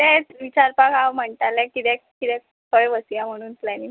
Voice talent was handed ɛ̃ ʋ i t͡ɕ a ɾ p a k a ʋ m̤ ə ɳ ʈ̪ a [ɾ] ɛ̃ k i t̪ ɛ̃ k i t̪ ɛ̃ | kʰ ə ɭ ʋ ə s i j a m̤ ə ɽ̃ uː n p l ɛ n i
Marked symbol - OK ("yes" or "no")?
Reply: no